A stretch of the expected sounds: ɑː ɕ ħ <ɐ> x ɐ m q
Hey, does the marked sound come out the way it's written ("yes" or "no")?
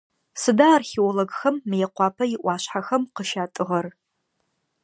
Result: no